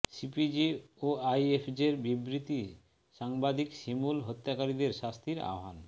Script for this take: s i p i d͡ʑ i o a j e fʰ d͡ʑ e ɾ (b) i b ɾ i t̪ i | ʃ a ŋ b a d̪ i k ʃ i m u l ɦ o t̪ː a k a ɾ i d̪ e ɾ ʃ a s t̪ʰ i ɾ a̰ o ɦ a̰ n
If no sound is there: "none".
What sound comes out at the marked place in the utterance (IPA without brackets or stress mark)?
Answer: b